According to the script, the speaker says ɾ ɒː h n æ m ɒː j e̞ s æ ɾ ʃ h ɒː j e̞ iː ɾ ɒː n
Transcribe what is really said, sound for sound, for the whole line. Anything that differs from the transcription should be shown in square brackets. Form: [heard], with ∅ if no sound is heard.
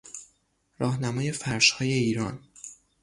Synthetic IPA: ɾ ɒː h n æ m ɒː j e̞ [f] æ ɾ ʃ h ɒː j e̞ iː ɾ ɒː n